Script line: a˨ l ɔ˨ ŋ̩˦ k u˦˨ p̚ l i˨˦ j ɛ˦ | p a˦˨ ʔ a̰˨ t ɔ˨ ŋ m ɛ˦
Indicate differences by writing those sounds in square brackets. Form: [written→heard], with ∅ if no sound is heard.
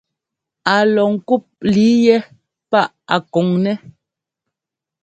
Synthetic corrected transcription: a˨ l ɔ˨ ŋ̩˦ k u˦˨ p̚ l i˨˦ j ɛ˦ | p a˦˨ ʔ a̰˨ [t→k] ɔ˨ ŋ [m→n] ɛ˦